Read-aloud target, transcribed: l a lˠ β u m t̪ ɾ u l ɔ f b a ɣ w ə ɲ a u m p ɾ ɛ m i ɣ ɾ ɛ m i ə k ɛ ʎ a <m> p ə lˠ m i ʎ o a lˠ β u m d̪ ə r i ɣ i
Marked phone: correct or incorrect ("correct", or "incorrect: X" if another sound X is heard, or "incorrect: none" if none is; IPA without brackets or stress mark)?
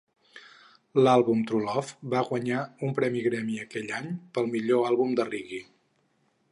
incorrect: ɲ